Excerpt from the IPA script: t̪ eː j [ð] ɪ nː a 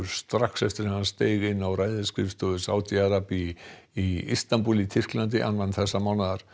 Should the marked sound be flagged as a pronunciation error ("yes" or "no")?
yes